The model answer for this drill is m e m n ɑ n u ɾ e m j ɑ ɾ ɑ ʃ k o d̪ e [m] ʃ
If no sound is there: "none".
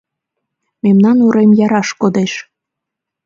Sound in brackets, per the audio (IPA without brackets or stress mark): none